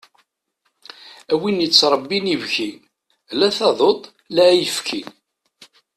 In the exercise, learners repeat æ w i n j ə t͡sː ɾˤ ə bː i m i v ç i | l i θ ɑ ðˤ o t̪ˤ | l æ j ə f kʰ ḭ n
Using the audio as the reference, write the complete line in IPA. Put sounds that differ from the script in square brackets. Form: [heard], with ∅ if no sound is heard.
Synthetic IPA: æ w i n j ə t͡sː ɾˤ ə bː i [n] i v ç i | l [æ] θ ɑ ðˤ o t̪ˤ | l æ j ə f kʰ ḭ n